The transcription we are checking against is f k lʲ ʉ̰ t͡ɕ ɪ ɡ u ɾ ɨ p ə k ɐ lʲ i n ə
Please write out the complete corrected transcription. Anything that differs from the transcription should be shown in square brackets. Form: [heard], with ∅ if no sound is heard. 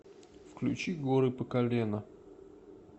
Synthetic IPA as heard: f k lʲ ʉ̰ t͡ɕ [i] ɡ [o] ɾ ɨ p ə k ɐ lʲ [e] n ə